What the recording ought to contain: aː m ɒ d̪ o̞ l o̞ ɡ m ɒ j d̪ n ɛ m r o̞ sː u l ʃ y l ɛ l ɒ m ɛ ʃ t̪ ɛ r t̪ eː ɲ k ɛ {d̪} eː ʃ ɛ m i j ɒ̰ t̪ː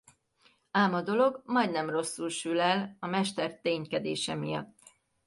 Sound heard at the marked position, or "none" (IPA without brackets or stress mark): d̪